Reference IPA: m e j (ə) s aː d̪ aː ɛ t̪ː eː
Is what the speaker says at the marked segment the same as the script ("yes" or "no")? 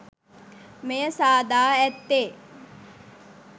yes